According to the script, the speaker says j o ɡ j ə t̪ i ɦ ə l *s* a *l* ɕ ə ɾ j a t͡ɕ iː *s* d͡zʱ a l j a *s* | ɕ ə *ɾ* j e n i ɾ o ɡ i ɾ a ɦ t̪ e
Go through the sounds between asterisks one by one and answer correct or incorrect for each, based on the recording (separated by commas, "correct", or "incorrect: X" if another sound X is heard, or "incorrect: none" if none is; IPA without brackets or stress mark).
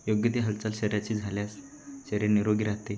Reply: incorrect: t͡s, correct, incorrect: none, correct, correct